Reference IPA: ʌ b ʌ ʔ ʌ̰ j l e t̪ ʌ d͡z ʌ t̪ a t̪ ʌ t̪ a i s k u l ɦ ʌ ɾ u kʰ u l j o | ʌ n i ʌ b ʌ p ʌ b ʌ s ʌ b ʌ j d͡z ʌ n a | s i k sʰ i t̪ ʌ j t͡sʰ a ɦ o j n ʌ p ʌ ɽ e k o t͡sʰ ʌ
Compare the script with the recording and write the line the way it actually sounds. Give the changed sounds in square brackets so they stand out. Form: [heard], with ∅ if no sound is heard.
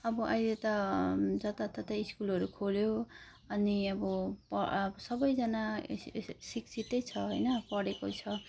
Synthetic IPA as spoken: ʌ b ʌ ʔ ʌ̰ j l e t̪ ʌ d͡z ʌ t̪ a t̪ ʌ t̪ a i s k u l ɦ ʌ ɾ u kʰ [o] l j o | ʌ n i ʌ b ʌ p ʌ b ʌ s ʌ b ʌ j d͡z ʌ n a | s i k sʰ i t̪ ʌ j t͡sʰ [ʌ] ɦ o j n ʌ p ʌ ɽ e k o t͡sʰ ʌ